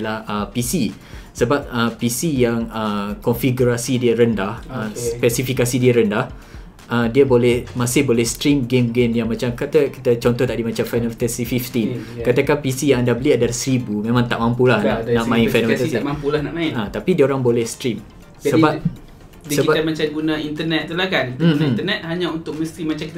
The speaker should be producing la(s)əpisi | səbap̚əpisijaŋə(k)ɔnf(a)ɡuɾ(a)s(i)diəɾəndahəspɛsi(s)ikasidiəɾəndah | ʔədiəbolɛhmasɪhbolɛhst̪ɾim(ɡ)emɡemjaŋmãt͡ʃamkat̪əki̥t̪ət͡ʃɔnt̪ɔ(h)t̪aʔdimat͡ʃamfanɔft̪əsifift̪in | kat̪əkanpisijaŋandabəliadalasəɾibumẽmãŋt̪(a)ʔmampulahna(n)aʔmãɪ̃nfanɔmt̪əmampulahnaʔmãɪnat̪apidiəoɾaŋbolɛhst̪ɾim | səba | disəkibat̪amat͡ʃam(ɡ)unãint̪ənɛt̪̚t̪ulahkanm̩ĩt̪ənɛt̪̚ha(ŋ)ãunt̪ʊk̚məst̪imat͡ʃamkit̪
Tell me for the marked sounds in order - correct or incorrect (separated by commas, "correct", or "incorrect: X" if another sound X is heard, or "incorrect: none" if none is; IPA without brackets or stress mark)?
incorrect: h, correct, incorrect: i, correct, correct, incorrect: f, correct, correct, correct, correct, correct, incorrect: ɲ